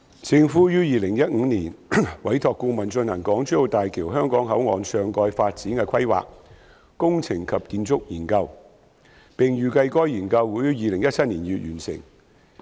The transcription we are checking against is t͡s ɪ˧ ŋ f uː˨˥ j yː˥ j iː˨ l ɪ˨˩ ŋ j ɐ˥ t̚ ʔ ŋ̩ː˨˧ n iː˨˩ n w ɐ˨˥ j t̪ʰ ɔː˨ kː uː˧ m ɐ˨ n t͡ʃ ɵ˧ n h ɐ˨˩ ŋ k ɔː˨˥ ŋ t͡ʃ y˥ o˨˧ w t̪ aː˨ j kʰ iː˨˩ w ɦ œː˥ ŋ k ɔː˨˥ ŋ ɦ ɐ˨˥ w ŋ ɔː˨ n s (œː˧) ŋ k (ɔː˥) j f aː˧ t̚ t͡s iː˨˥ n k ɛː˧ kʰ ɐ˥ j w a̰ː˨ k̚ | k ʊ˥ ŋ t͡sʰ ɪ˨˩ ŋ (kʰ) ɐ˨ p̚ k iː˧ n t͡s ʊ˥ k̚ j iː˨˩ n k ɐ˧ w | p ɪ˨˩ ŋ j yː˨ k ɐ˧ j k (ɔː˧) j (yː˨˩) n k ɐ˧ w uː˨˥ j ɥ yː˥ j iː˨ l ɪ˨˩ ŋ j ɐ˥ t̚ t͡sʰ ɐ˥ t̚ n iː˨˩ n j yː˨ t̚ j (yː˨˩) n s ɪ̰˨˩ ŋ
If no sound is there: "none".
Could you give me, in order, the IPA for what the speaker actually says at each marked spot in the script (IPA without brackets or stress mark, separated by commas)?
œː˧, ɔː˧, kʰ, ɔː˥, iː˨˩, yː˨˩